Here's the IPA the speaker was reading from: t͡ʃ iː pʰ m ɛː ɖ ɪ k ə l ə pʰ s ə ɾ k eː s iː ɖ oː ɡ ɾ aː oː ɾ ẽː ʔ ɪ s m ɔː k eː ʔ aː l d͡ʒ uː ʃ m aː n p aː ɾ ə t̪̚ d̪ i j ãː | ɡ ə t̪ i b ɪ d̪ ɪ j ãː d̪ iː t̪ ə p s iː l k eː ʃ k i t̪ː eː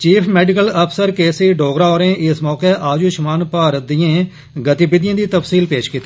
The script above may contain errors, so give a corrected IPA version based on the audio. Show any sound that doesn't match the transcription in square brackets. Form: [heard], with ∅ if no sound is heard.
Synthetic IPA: t͡ʃ iː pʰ m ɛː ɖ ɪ k ə l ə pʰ s ə ɾ k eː s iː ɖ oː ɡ ɾ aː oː ɾ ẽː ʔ ɪ s m ɔː k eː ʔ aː [∅] d͡ʒ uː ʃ m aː n p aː ɾ ə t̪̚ d̪ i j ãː | ɡ ə t̪ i b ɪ d̪ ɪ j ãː d̪ iː t̪ ə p s iː l [p] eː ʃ k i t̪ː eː

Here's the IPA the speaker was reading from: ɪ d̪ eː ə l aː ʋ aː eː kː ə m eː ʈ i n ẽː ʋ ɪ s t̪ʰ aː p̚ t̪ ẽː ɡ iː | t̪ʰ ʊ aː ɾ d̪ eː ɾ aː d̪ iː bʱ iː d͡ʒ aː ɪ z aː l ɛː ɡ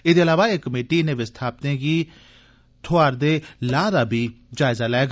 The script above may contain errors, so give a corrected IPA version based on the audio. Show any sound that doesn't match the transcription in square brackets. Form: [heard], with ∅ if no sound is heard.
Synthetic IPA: ɪ d̪ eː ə l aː ʋ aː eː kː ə m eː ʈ i n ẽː ʋ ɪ s t̪ʰ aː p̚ t̪ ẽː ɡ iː | t̪ʰ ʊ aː ɾ d̪ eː [l] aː d̪ [aː] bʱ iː d͡ʒ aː ɪ z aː l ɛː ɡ

